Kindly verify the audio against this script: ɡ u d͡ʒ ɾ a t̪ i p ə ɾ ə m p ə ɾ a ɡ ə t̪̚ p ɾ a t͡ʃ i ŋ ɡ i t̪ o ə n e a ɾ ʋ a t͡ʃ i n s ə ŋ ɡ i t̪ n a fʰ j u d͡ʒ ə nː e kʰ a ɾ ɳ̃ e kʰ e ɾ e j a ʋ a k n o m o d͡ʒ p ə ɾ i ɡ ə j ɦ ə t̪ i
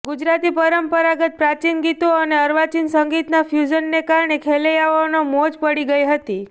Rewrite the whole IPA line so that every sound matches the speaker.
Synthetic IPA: ɡ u d͡ʒ ɾ a t̪ i p ə ɾ ə m p ə ɾ a ɡ ə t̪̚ p ɾ a t͡ʃ i n ɡ i t̪ o ə n e ə ɾ ʋ a t͡ʃ i n s ə ŋ ɡ i t̪ n a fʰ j u d͡ʒ ə nː e k a ɾ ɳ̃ e kʰ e l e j a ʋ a n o m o d͡ʒ p ə ɽ i ɡ ə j ɦ ə t̪ i

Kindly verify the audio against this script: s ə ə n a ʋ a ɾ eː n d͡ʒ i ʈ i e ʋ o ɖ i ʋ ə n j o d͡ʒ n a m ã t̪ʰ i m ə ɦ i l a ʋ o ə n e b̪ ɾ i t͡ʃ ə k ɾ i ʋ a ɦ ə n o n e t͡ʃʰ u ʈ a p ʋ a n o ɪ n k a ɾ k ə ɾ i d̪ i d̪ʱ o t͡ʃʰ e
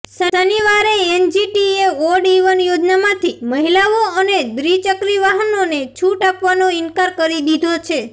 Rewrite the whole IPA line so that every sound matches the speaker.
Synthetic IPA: s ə ə n i ʋ a ɾ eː n d͡ʒ i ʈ i e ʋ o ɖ i ʋ ə n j o d͡ʒ n a m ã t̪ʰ i m ə ɦ i l a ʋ o ə n e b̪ ɾ i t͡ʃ ə k ɾ i ʋ a ɦ ə n o n e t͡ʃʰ u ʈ a p ʋ a n o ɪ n k a ɾ k ə ɾ i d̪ i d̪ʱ o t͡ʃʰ e

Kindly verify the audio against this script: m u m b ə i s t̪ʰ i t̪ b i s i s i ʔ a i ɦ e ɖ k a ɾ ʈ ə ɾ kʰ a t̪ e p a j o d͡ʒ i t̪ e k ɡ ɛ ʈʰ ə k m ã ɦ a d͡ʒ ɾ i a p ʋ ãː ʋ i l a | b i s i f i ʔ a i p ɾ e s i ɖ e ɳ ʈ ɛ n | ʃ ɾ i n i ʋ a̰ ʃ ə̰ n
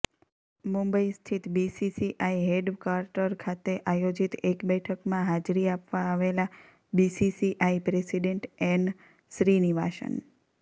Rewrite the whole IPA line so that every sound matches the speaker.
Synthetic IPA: m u m b ə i s t̪ʰ i t̪ b i s i s i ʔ a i ɦ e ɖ k a ɾ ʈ ə ɾ kʰ a t̪ e ʔ a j o d͡ʒ i t̪ e k b ɛ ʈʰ ə k m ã ɦ a d͡ʒ ɾ i a p ʋ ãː ʋ e l a | b i s i s i ʔ a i p ɾ e s i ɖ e ɳ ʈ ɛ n | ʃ ɾ i n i ʋ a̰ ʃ ə̰ n

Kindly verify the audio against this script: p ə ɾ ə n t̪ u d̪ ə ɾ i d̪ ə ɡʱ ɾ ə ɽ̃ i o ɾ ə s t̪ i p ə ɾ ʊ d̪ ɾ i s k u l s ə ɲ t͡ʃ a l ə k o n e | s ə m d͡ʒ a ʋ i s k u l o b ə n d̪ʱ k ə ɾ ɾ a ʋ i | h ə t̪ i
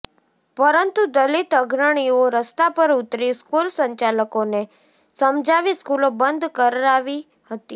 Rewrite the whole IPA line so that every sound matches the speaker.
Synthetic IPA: p ə ɾ ə n t̪ u d̪ ə l i t̪ ə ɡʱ ɾ ə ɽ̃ i o ɾ ə s t̪ a p ə ɾ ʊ t̪ ɾ i s k u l s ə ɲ t͡ʃ a l ə k o n e | s ə m d͡ʒ a ʋ i s k u l o b ə n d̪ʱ k ə ɾ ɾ a ʋ i | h ə t̪ i

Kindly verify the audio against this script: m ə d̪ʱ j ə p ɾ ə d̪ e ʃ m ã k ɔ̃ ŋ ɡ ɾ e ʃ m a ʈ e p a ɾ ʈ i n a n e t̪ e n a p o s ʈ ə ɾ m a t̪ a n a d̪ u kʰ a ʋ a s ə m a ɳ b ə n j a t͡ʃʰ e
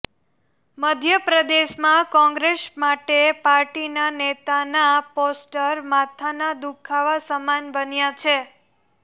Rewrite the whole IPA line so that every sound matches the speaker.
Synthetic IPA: m ə d̪ʱ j ə p ɾ ə d̪ e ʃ m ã k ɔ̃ ŋ ɡ ɾ e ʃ m a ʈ e p a ɾ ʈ i n a n e t̪ a n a p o s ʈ ə ɾ m a t̪ʰ a n a d̪ u kʰ a ʋ a s ə m a n b ə n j a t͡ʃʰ e

